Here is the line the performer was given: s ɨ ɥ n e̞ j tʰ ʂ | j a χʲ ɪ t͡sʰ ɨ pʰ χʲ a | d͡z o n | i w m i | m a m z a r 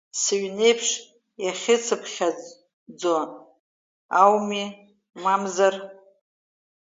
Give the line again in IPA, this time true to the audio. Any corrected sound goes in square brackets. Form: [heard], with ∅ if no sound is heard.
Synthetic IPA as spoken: s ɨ ɥ n e̞ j [pʰ] ʂ | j a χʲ ɪ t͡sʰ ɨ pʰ χʲ a | d͡z o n | [a] w m i | m a m z a r